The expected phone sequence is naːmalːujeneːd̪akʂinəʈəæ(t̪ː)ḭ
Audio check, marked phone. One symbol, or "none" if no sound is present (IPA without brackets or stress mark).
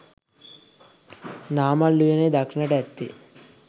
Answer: t̪ː